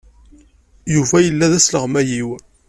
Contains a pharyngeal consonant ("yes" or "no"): no